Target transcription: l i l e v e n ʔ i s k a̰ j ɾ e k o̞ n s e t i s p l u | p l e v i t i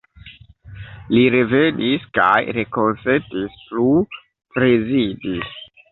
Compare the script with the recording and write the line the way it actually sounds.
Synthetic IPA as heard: l i ɾ e v e n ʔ i s k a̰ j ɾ e k o̞ n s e t i s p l u | p ɾ e z i d i